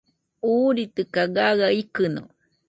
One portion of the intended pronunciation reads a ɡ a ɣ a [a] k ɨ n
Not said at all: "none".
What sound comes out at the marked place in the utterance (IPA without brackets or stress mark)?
i